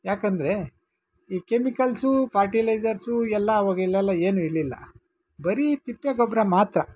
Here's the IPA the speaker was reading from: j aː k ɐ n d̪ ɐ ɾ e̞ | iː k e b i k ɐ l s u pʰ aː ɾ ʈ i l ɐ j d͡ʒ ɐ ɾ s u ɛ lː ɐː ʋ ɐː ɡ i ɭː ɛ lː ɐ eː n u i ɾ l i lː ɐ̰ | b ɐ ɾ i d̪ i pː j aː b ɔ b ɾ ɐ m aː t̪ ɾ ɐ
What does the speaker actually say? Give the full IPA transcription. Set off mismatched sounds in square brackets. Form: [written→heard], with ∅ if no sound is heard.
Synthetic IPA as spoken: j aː k ɐ n d̪ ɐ ɾ e̞ | iː k e [b→m] i k ɐ l s u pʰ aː ɾ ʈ i l ɐ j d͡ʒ ɐ ɾ s u ɛ lː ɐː ʋ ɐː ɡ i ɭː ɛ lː ɐ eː n u i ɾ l i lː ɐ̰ | b ɐ ɾ i [d̪→t̪] i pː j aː [b→ɡ] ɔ b ɾ ɐ m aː t̪ ɾ ɐ